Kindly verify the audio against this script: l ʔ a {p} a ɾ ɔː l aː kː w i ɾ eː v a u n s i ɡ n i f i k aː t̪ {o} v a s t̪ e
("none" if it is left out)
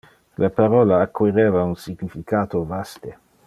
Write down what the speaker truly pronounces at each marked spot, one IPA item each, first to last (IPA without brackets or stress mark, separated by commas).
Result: p, o